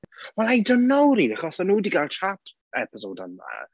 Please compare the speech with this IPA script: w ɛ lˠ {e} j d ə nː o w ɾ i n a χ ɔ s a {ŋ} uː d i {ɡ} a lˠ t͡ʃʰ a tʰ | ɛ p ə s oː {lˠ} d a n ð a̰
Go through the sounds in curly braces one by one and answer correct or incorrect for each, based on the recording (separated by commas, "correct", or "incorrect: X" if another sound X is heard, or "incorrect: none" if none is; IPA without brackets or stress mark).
incorrect: a, incorrect: n, correct, incorrect: none